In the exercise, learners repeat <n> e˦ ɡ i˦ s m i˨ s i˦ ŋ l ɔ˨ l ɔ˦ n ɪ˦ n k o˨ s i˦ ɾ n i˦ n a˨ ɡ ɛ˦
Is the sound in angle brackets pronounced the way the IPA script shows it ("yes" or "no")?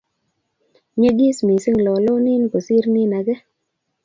no